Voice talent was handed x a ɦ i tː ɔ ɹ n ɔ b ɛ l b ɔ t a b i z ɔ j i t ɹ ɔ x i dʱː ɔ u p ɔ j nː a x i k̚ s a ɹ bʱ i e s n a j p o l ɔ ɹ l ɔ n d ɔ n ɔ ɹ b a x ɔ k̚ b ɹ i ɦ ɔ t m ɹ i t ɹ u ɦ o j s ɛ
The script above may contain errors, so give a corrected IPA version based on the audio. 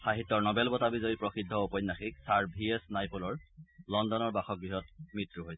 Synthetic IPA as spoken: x a ɦ i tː ɔ ɹ n ɔ b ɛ l b ɔ t a b i z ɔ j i p ɹ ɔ x i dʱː ɔ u p ɔ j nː a x i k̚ s a ɹ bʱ i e s n a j p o l ɔ ɹ l ɔ n d ɔ n ɔ ɹ b a x ɔ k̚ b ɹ i ɦ ɔ t m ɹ i t ɹ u ɦ o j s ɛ